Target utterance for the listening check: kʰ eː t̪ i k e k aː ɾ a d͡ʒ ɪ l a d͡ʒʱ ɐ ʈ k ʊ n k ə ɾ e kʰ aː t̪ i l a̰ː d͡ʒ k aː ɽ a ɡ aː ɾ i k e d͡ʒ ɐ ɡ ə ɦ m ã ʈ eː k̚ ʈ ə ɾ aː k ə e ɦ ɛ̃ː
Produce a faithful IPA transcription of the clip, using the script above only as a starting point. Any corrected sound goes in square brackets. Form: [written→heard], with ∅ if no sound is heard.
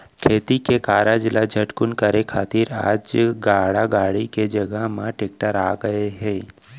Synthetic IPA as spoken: kʰ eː t̪ i k e k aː ɾ a d͡ʒ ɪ l a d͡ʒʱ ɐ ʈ k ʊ n k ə ɾ e kʰ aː t̪ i [l→ɾ] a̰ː d͡ʒ [k→ɡ] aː ɽ a ɡ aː [ɾ→ɽ] i k e d͡ʒ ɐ ɡ ə ɦ m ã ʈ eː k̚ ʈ ə ɾ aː [k→ɡ] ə e ɦ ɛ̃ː